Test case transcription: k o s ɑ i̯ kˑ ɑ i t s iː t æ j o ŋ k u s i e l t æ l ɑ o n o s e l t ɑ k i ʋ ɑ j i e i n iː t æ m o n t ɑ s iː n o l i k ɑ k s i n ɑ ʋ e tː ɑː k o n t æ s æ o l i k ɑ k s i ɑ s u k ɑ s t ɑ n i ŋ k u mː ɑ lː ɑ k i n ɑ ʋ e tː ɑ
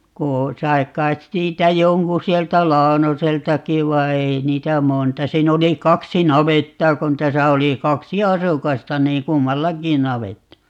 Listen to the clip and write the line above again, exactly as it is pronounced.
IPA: k o s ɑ i̯ kˑ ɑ i t s iː t æ j o ŋ k u s i e l t æ l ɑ o n o s e l t ɑ k i ʋ ɑ i e i n iː t æ m o n t ɑ s iː n o l i k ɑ k s i n ɑ ʋ e tː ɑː k o n t æ s æ o l i k ɑ k s i ɑ s u k ɑ s t ɑ n iː ŋ k u mː ɑ lː ɑ k i n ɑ ʋ e tː ɑ